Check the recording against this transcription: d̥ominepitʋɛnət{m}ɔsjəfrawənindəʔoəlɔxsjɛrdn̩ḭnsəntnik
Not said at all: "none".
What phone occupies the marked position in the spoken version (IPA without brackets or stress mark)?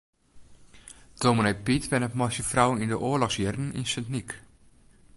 m